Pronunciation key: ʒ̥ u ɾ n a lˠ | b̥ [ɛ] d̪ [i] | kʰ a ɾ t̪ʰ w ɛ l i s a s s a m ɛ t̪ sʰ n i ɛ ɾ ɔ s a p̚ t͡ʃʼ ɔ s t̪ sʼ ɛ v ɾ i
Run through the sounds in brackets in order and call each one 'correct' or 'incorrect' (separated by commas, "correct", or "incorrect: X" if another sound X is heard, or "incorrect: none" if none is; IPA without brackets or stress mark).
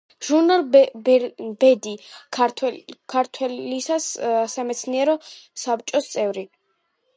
correct, correct